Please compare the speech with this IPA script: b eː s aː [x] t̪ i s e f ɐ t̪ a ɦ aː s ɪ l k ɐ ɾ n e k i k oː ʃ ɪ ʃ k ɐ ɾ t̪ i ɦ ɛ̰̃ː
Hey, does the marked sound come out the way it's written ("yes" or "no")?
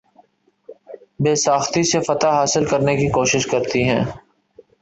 yes